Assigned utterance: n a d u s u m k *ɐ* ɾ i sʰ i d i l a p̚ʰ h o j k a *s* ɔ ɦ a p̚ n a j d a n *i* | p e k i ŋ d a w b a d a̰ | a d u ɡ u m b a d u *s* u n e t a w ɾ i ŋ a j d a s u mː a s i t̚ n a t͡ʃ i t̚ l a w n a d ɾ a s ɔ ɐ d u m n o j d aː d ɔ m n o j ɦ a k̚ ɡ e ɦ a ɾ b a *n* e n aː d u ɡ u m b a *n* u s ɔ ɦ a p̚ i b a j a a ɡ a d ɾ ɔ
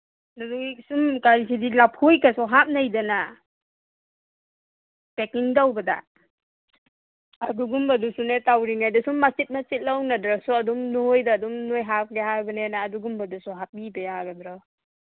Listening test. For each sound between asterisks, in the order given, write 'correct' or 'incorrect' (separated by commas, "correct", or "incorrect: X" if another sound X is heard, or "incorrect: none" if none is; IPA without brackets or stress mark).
incorrect: a, correct, incorrect: a, correct, correct, incorrect: d